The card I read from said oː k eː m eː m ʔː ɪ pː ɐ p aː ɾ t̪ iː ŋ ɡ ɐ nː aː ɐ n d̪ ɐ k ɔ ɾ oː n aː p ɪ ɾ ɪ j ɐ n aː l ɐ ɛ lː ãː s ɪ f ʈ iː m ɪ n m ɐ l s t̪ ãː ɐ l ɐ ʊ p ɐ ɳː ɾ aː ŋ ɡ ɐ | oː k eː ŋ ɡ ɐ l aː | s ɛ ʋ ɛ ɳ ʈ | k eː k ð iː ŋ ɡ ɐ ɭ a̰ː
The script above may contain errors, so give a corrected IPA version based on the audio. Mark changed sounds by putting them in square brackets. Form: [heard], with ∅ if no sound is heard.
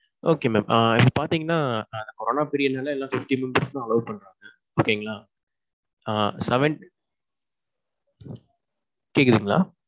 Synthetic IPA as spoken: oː k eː m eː m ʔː ɪ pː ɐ p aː ɾ t̪ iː ŋ ɡ ɐ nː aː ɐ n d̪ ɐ k ɔ ɾ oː n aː p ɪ ɾ ɪ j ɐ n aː l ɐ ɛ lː ãː [f] ɪ f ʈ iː m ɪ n [b] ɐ [ɾ] s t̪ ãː ɐ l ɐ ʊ p ɐ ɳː ɾ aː ŋ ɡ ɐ | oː k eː ŋ ɡ ɐ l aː | s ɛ ʋ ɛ ɳ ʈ | k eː k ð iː ŋ ɡ ɐ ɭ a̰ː